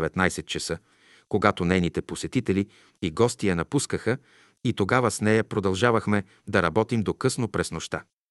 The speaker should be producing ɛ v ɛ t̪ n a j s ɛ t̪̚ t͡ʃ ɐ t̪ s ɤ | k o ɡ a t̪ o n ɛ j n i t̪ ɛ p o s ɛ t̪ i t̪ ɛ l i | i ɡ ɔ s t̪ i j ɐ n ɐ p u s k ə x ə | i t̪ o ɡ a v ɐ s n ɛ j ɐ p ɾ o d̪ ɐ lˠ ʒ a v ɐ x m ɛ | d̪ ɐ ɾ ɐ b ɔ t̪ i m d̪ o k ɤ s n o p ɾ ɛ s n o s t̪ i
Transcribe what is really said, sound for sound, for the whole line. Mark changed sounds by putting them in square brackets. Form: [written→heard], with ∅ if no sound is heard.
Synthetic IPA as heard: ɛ v ɛ t̪ n a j s ɛ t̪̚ t͡ʃ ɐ [t̪→∅] s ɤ | k o ɡ a t̪ o n ɛ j n i t̪ ɛ p o s ɛ t̪ i t̪ ɛ l i | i ɡ ɔ s t̪ i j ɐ n ɐ p u s k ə x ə | i t̪ o ɡ a v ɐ s n ɛ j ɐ p ɾ o d̪ ɐ lˠ ʒ a v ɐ x m ɛ | d̪ ɐ ɾ ɐ b ɔ t̪ i m d̪ o k ɤ s n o p ɾ ɛ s n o [s→ʃ] t̪ [i→a]